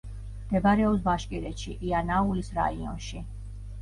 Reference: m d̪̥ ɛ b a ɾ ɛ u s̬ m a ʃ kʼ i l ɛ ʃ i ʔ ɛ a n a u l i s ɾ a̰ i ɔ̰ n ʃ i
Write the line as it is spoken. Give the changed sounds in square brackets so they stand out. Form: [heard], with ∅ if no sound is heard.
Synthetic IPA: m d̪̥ ɛ b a ɾ ɛ [ɔ] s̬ [b] a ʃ kʼ i [ɾ] ɛ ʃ i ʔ [i] a n a u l i s ɾ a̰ i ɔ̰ n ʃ i